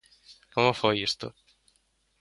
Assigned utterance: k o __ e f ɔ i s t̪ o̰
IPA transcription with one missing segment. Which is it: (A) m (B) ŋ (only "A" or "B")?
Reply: A